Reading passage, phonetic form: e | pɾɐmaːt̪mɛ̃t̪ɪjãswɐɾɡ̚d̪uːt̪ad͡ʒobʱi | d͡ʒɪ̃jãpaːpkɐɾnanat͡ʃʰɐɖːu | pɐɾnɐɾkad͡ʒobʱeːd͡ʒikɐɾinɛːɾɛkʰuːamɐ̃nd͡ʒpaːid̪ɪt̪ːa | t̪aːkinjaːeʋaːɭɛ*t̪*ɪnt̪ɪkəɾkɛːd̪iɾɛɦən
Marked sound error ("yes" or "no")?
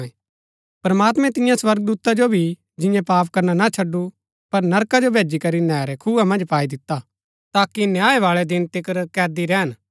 yes